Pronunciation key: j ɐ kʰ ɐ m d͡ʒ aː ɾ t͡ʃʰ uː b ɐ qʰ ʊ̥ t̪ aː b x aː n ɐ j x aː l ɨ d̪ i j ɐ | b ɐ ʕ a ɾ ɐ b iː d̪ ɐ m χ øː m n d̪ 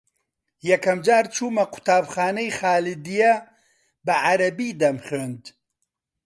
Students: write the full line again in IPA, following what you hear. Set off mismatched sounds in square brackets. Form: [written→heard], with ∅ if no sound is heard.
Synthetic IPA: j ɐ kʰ ɐ m d͡ʒ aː ɾ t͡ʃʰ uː [b→m] ɐ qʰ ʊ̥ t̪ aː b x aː n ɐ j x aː l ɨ d̪ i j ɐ | b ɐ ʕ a ɾ ɐ b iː d̪ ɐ m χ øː [m→∅] n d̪